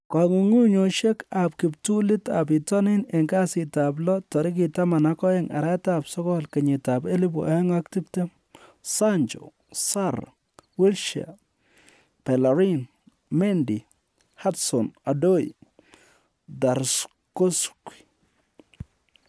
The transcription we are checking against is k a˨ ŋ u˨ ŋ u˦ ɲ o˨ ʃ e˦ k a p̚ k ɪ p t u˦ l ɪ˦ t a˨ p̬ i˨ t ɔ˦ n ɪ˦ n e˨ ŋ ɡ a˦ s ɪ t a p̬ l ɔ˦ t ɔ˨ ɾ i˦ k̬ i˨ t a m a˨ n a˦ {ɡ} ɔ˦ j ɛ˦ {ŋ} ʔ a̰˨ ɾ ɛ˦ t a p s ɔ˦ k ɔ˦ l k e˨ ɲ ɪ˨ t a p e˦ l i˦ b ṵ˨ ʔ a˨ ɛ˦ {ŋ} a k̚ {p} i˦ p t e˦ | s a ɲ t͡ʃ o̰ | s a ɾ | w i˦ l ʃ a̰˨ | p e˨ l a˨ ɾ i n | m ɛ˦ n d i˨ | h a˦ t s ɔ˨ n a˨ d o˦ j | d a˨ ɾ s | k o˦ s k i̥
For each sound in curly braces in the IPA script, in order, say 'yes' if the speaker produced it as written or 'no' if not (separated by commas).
no, yes, yes, no